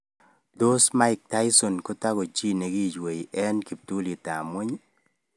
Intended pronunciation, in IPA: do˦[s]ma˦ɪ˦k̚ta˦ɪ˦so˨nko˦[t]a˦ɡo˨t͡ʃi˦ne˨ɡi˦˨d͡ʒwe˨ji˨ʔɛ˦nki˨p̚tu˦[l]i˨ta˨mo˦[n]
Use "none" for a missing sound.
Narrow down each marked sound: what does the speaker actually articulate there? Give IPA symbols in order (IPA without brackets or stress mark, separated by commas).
s, t, l, ɲ